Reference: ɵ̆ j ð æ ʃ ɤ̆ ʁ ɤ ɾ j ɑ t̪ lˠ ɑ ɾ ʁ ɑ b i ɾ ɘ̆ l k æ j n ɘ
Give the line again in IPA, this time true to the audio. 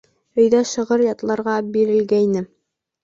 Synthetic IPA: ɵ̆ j ð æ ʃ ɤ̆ ʁ ɤ ɾ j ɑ t̪ lˠ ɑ ɾ ʁ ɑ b i ɾ ɘ̆ l ɡ æ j n ɘ